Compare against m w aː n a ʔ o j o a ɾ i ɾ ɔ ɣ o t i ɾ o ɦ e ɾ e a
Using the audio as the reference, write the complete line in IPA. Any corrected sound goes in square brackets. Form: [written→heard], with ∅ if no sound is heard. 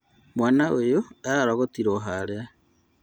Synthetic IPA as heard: m w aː n a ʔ o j o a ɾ [i→a] ɾ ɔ ɣ o t i ɾ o ɦ [e→a] ɾ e a